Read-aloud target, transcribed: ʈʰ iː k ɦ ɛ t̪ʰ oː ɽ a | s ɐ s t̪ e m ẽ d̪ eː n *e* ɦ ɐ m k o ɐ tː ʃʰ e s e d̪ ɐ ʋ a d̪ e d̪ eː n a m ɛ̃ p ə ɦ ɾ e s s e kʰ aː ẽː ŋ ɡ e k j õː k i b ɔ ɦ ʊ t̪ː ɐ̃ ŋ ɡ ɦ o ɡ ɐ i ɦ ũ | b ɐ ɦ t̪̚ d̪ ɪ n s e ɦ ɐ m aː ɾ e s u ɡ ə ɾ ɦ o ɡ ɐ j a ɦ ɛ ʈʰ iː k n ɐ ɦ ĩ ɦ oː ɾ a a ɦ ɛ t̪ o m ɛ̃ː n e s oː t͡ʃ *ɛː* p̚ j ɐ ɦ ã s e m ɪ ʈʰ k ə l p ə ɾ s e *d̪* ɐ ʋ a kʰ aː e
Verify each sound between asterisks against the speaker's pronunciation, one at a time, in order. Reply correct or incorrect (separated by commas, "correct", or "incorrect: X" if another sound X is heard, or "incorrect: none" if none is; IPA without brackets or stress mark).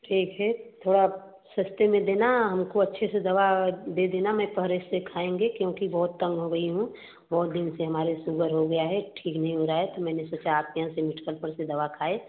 incorrect: a, incorrect: aː, correct